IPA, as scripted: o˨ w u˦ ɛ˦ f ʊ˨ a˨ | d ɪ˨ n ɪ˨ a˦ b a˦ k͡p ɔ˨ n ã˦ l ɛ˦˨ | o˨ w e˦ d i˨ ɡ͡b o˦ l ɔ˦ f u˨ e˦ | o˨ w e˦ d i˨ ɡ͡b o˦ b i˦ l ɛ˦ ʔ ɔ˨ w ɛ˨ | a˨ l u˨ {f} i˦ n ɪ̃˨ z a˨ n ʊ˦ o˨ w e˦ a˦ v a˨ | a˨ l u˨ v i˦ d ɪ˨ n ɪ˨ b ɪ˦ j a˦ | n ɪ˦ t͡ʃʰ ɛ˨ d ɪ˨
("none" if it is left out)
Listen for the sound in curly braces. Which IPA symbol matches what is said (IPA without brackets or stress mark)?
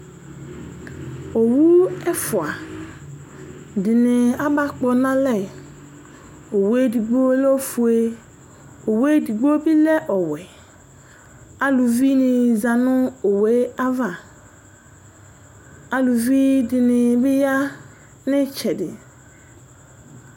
v